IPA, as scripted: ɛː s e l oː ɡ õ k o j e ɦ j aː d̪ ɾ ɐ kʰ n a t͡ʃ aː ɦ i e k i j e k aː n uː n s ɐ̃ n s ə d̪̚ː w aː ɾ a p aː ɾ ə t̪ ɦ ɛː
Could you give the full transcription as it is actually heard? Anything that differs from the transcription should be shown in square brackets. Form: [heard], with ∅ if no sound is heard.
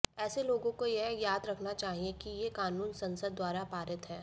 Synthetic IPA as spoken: ɛː s e l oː ɡ õ k o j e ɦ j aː d̪ ɾ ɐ kʰ n a t͡ʃ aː ɦ i e k i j e k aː n uː n s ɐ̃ n s ə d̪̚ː w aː ɾ a p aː ɾ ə t̪ ɦ ɛː